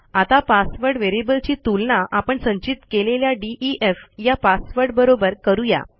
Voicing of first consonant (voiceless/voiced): voiceless